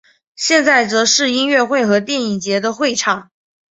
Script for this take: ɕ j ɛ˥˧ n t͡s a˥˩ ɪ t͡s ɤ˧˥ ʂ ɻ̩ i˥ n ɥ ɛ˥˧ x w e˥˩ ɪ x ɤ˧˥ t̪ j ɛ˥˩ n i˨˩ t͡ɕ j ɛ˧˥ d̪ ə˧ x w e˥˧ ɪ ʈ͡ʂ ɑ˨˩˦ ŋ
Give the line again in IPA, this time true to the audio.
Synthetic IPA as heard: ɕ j ɛ˥˧ n t͡s a˥˩ ɪ t͡s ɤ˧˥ ʂ ɻ̩ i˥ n ɥ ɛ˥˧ x w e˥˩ ɪ x ɤ˧˥ t̪ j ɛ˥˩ n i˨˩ t͡ɕ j ɛ˧˥ d̪ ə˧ x w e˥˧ ɪ ʈ͡ʂʰ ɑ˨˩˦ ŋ